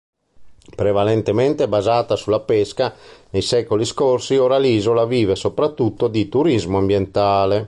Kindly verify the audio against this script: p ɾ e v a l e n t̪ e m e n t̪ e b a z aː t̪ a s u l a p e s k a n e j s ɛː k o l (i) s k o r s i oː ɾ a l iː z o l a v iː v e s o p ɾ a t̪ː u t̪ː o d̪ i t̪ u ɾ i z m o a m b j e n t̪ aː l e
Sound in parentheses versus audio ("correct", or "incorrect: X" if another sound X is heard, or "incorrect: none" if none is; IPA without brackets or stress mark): correct